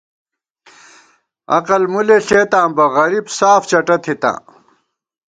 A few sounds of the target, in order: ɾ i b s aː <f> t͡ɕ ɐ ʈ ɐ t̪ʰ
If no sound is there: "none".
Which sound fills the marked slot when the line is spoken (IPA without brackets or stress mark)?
f